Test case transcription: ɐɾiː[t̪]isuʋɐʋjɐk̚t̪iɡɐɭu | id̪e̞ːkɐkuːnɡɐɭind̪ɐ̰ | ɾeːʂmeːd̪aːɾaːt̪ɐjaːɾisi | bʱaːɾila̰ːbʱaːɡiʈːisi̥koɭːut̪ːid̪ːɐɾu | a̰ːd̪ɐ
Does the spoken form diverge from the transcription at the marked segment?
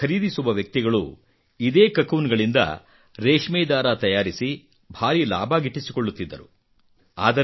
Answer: yes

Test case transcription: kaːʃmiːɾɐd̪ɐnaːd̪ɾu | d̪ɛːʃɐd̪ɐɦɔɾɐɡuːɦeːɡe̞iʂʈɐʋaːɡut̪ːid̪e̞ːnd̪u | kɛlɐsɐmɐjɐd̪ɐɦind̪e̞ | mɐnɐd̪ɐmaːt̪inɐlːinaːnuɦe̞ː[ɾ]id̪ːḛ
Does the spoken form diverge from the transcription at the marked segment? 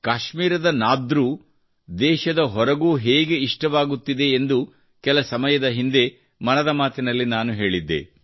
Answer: yes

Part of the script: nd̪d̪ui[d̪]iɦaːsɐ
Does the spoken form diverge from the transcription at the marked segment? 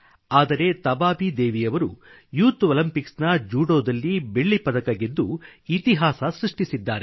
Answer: yes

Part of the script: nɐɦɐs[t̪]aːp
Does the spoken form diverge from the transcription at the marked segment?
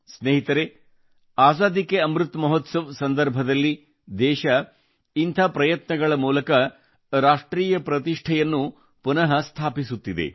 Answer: yes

